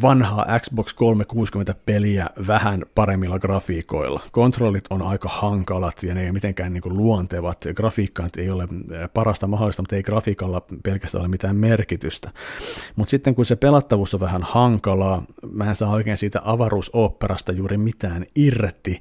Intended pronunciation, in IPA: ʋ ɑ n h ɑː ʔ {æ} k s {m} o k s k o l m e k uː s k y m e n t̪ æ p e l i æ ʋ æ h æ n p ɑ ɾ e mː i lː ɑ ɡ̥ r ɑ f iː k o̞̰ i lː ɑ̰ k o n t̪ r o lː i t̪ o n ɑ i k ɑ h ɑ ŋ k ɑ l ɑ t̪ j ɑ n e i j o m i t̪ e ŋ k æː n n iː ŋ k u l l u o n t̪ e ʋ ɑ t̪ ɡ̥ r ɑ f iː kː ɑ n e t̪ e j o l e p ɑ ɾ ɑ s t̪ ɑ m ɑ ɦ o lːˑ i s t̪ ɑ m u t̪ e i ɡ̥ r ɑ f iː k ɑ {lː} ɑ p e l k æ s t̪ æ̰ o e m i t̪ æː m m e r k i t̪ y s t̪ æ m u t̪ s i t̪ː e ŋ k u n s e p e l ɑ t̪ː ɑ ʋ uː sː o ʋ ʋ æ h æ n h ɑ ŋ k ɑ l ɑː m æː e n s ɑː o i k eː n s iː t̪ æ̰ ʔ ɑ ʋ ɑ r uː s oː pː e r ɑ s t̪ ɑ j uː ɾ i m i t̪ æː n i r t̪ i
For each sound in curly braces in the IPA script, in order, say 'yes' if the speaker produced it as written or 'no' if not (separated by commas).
yes, no, yes